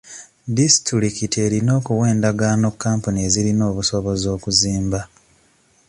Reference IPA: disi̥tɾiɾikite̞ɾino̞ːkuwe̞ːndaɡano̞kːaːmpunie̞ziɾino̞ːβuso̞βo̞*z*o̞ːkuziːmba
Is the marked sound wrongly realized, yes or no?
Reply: no